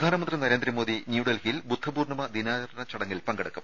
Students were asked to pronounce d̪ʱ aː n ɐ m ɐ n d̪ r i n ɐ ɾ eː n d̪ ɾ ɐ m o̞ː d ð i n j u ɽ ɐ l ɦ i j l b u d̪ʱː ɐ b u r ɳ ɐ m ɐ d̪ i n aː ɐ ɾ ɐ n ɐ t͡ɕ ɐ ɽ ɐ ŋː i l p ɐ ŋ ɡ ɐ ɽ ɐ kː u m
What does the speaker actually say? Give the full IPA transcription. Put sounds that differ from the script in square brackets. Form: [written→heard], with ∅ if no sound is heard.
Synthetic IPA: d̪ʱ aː n ɐ m ɐ n d̪ r i n ɐ ɾ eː n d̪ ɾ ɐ m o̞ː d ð i n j u ɽ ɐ l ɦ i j l b u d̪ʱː ɐ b [u→uː] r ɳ ɐ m ɐ d̪ i n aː ɐ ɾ ɐ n ɐ t͡ɕ ɐ ɽ ɐ ŋː i l p ɐ ŋ ɡ ɐ ɽ ɐ kː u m